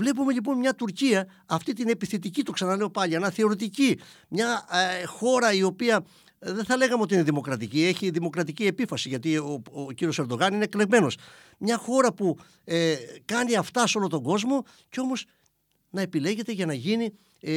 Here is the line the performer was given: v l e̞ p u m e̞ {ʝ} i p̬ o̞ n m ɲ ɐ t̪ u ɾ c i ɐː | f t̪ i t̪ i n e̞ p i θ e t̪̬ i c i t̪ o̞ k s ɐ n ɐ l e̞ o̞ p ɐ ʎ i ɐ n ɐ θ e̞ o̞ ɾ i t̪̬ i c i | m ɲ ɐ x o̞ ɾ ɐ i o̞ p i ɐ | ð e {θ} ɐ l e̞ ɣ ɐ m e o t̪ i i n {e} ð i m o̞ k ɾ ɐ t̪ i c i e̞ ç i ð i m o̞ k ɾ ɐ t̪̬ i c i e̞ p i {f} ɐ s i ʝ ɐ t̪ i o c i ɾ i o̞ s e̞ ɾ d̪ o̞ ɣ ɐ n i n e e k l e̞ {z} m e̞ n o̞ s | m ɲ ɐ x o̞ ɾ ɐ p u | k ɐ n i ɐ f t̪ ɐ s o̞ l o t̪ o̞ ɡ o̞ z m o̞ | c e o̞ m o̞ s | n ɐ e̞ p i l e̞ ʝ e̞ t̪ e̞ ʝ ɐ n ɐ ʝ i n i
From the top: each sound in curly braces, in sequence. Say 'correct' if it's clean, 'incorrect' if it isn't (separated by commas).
incorrect, correct, correct, correct, incorrect